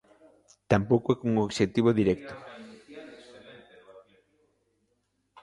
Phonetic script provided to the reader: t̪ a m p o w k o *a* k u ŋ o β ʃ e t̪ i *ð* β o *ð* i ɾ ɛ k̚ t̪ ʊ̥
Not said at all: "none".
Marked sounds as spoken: ɛ, none, ð

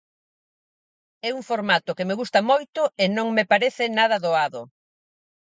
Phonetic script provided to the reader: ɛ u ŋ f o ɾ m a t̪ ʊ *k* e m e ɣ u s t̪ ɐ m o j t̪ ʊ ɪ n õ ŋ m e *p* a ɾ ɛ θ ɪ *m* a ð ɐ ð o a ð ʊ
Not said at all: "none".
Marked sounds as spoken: k, p, n

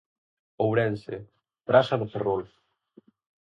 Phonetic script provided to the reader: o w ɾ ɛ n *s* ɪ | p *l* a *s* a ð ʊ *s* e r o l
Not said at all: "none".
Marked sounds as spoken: s, ɾ, s, f

